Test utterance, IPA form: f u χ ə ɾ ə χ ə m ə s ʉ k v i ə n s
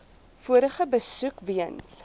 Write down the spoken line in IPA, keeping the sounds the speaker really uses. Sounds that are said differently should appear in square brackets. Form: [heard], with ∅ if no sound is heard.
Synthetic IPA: f u [∅] ə ɾ ə χ ə [b] ə s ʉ k v i ə n s